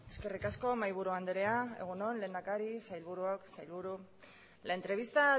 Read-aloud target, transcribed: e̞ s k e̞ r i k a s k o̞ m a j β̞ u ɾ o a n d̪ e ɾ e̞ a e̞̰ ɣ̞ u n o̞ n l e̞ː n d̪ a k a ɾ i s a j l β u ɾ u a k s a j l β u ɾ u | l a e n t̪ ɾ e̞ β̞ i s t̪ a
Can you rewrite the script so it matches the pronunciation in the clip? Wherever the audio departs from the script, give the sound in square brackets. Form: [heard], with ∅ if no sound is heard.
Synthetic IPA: e̞ s k e̞ r i k a s k o̞ m a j β̞ u ɾ [u] a n d̪ e ɾ e̞ a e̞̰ ɣ̞ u n o̞ n l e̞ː n d̪ a k a ɾ i s a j l β u ɾ u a k s a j l β u ɾ u | l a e n t̪ ɾ e̞ β̞ i s t̪ a